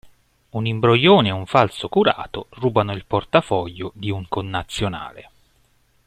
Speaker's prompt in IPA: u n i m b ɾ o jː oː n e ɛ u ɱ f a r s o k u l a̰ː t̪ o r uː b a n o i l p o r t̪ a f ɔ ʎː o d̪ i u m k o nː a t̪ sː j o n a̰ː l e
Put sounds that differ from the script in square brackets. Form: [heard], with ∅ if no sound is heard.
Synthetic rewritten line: u n i m b ɾ o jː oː n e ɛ u ɱ f a [l] s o k u [ɾ] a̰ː t̪ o r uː b a n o i l p o r t̪ a f ɔ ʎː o d̪ i u [ŋ] k o nː a t̪ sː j o n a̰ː l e